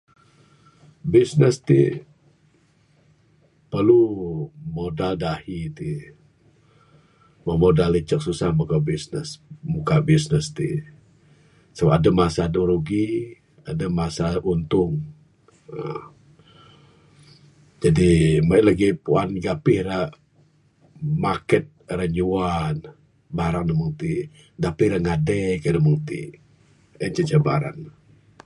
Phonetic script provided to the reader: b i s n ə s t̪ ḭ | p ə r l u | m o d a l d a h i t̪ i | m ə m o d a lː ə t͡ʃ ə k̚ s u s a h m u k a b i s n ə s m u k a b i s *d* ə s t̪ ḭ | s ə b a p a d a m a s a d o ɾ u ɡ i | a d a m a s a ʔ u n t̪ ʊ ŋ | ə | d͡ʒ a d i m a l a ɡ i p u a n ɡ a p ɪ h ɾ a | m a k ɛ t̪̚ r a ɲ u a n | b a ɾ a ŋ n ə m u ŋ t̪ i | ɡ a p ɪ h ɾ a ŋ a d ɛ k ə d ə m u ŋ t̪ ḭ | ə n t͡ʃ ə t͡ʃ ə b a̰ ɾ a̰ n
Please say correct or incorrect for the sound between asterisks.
incorrect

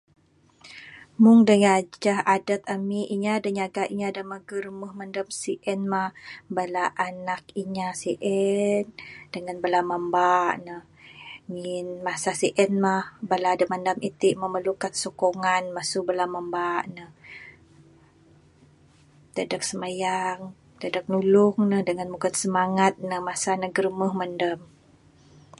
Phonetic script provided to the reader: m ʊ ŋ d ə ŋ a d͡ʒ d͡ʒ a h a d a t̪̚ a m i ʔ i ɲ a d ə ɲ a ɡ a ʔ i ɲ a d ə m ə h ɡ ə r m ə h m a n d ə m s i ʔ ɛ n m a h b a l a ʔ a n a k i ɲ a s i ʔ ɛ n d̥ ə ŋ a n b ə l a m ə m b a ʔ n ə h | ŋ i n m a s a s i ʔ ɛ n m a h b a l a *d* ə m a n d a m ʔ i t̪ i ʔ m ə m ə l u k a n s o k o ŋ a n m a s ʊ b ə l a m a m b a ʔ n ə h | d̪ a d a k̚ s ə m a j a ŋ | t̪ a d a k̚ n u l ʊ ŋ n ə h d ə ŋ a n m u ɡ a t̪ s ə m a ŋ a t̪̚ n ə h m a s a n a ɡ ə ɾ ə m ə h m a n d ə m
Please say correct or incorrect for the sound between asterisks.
correct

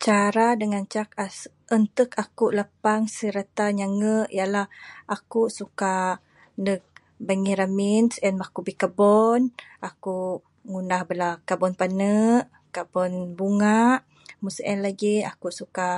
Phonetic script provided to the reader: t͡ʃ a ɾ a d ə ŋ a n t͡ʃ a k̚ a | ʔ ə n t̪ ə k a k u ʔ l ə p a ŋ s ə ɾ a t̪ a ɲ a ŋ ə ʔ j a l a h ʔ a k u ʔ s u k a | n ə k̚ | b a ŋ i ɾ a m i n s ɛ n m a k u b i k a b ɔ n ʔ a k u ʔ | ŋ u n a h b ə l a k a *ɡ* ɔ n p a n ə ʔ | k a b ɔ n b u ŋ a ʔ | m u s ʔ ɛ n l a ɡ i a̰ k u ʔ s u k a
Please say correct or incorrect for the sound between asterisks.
incorrect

